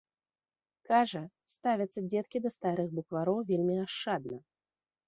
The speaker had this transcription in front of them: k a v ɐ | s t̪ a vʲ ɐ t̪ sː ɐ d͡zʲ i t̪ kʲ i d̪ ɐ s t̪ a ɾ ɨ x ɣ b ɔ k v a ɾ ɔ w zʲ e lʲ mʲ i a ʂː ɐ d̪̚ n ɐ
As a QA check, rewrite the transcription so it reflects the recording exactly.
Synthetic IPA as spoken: k a ʐ ɐ | s t̪ a vʲ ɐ t̪ sː ɐ d͡zʲ ɛ t̪ kʲ i d̪ ɐ s t̪ a ɾ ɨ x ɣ b u k v a ɾ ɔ w vʲ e lʲ mʲ i a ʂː a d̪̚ n ɐ